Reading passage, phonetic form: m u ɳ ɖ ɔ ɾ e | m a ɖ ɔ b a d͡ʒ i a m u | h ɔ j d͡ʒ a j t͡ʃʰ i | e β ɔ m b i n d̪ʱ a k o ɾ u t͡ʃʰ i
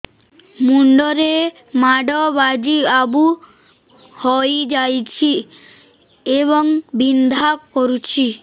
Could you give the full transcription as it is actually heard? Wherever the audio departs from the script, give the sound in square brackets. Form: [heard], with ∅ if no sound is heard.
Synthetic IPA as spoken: m u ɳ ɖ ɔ ɾ e | m a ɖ ɔ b a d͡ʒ i a [b] u | h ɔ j d͡ʒ a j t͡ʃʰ i | e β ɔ [ŋ] b i n d̪ʱ a k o ɾ u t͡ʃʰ i